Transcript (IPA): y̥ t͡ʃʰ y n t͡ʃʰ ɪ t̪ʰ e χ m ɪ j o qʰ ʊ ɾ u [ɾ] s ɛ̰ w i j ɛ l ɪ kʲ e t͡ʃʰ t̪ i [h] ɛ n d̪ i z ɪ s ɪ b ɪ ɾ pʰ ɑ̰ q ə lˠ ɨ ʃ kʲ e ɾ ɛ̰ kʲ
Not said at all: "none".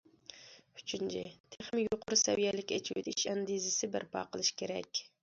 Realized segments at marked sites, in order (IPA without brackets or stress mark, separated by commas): none, ʃ